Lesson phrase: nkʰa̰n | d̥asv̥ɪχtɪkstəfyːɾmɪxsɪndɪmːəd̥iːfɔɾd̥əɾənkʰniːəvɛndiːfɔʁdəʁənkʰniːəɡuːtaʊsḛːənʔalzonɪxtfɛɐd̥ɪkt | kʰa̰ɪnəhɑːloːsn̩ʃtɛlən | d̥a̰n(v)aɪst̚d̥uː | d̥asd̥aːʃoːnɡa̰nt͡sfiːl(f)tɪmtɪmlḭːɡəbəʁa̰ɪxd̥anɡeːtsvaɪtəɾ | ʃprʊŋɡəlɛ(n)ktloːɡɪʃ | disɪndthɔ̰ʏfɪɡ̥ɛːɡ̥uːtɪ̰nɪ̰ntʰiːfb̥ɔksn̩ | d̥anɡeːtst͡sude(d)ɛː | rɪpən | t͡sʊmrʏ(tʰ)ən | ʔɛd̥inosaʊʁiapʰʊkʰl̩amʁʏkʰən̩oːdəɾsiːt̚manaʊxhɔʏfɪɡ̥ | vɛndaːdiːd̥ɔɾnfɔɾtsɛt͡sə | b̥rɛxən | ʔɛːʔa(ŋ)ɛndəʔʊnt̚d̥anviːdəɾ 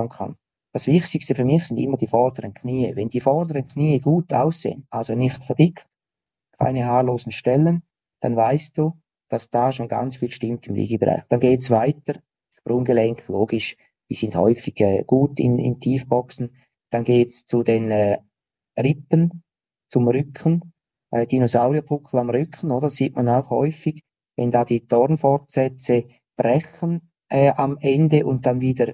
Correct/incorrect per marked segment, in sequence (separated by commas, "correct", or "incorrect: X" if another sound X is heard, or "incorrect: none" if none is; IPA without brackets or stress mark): correct, incorrect: ʃ, incorrect: ŋ, incorrect: n, incorrect: kʰ, incorrect: m